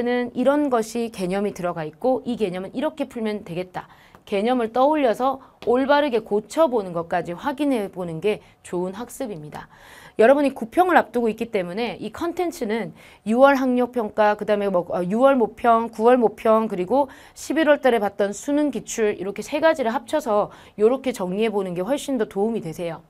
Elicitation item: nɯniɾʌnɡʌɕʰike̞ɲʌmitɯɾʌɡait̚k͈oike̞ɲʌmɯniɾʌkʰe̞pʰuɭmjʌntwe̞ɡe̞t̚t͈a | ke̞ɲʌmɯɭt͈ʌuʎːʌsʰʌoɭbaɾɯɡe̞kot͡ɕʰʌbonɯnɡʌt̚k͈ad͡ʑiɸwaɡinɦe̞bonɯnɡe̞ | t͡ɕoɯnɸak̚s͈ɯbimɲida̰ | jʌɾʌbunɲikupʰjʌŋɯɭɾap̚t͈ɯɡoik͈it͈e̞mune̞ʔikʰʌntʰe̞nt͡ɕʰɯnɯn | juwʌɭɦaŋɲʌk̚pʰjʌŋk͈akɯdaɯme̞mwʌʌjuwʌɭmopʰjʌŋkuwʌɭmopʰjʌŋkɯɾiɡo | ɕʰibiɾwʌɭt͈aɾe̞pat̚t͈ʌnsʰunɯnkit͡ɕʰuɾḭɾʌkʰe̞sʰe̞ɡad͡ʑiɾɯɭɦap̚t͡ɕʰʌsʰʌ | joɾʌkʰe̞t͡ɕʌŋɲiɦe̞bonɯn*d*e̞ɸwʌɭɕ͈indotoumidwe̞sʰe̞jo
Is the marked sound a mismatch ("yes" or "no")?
yes